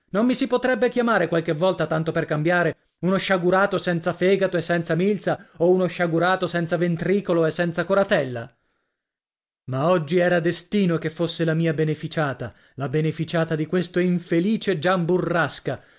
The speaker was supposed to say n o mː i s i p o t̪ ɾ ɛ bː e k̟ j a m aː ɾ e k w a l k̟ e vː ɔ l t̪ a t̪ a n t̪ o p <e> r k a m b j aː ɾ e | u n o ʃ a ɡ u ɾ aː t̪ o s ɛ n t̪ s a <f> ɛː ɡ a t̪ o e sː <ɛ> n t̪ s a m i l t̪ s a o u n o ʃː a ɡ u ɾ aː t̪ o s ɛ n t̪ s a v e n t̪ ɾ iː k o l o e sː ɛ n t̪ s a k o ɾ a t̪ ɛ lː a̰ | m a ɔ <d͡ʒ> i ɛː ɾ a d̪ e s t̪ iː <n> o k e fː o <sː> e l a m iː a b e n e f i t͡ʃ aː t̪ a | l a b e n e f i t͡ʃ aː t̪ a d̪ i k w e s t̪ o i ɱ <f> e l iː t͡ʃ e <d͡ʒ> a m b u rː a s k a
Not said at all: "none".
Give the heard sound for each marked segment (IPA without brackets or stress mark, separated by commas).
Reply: e, f, ɛ, d͡ʒː, n, sː, f, d͡ʒ